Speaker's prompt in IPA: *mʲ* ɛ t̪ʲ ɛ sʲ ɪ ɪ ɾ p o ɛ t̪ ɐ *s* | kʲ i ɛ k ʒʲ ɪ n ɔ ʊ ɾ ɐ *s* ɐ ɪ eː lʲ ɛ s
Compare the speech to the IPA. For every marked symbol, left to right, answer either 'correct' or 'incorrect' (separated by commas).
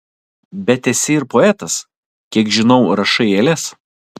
incorrect, correct, incorrect